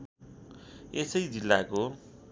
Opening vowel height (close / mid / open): mid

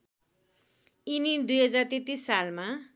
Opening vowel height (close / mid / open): close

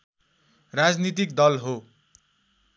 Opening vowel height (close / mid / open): open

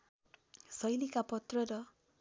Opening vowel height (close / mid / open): mid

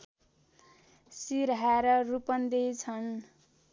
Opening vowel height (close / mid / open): close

